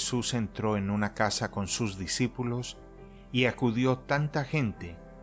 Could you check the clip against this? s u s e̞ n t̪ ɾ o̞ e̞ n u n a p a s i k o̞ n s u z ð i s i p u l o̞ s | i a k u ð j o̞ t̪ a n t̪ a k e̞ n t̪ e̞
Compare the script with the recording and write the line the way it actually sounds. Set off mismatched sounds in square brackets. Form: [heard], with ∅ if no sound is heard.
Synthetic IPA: s u s e̞ n t̪ ɾ o̞ e̞ n u n a [k] a s [a] k o̞ n s u z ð i s i p u l o̞ s | i a k u ð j o̞ t̪ a n t̪ a [x] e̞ n t̪ e̞